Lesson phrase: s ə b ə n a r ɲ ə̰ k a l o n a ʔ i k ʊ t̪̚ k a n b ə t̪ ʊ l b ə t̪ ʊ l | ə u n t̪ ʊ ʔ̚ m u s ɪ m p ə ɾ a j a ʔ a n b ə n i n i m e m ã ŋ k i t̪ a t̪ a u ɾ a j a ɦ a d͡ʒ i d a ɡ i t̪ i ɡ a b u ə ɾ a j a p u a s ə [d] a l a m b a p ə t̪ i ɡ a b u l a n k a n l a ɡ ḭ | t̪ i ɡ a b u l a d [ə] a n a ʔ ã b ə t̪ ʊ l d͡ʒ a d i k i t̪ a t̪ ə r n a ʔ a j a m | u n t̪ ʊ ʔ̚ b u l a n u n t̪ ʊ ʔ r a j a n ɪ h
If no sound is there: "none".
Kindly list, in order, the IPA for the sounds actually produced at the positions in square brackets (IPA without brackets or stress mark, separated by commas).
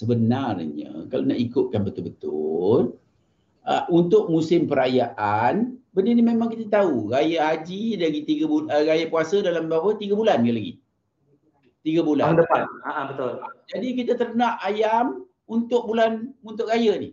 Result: d, ə